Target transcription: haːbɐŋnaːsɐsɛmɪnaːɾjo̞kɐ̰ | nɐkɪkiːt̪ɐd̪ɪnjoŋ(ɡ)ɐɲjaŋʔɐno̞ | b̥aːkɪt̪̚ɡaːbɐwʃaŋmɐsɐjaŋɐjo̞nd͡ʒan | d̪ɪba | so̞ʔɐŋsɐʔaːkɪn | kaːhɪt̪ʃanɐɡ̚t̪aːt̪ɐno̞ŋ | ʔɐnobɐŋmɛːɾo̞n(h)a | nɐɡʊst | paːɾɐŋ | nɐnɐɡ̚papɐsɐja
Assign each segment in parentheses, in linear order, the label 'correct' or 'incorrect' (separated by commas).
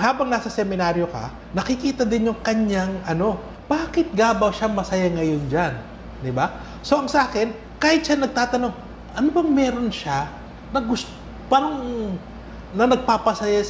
incorrect, incorrect